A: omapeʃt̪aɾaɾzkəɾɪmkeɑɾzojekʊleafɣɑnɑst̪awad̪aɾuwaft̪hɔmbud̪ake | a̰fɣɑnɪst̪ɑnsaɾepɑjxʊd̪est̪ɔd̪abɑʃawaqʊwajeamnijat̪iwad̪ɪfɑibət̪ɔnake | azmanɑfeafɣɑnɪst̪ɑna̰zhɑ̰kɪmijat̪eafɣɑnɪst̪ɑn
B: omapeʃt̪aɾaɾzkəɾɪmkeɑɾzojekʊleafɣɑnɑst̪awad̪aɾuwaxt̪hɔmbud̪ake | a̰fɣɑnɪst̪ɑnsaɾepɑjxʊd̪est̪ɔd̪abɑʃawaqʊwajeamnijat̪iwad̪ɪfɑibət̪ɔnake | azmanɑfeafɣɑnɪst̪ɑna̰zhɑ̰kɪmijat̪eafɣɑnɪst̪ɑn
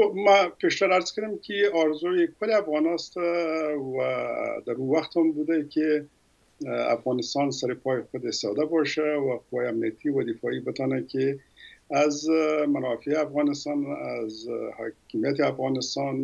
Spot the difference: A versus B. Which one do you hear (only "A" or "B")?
B